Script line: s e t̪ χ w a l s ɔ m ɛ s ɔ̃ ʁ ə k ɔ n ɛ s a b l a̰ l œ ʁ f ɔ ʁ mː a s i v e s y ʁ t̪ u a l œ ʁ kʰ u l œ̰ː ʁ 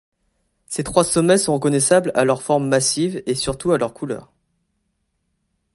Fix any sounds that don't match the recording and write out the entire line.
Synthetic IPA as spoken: s e t̪ χ w a s ɔ m ɛ s ɔ̃ ʁ ə k ɔ n ɛ s a b l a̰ l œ ʁ f ɔ ʁ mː a s i v e s y ʁ t̪ u a l œ ʁ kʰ u l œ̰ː ʁ